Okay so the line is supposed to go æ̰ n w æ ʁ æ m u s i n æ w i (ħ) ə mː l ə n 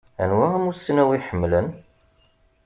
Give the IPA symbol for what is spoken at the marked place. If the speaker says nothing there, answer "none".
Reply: ħ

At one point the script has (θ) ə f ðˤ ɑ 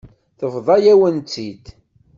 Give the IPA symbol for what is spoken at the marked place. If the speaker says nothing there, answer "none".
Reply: θ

